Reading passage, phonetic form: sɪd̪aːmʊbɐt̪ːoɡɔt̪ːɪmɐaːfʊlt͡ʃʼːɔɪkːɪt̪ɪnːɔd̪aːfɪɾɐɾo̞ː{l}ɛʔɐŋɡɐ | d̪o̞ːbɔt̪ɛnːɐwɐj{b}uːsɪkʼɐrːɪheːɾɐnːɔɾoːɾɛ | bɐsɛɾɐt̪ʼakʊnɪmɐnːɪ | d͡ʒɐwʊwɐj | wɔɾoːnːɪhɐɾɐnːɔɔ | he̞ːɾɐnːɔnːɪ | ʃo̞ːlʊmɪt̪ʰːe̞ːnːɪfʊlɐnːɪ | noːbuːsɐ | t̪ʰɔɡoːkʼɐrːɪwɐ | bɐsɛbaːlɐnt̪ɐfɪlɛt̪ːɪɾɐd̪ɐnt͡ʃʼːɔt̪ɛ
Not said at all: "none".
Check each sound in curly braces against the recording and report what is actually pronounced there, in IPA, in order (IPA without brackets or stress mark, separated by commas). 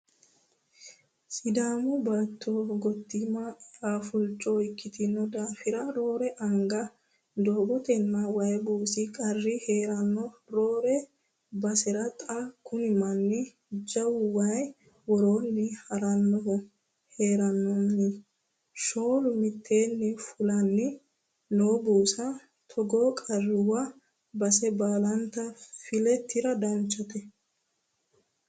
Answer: ɾ, b